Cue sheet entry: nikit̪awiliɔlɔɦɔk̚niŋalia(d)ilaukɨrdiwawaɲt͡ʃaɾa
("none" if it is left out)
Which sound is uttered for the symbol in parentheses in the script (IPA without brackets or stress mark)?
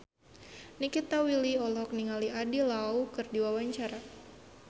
d